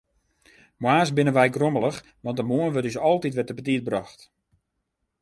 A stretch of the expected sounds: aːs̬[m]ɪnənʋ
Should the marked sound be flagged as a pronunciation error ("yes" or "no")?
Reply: yes